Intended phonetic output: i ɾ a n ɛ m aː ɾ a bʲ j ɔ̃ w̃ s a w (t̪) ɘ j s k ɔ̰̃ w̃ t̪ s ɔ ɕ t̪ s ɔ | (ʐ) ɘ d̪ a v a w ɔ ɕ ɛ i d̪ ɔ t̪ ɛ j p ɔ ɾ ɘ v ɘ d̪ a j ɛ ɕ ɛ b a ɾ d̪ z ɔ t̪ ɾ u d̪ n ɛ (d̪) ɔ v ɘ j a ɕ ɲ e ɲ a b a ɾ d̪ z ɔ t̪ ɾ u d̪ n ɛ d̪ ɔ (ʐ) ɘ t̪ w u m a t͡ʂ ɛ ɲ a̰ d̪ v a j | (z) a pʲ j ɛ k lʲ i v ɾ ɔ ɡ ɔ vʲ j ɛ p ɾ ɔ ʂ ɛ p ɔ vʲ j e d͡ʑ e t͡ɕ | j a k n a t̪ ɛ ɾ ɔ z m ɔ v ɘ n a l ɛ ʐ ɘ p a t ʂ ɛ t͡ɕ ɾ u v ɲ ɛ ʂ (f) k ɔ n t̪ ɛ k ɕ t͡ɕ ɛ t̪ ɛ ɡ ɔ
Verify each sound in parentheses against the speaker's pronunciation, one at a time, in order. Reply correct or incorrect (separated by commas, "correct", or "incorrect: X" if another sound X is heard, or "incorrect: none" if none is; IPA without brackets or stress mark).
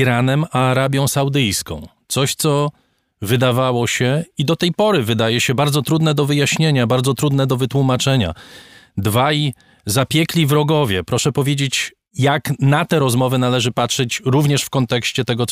incorrect: d̪, incorrect: v, correct, incorrect: v, correct, correct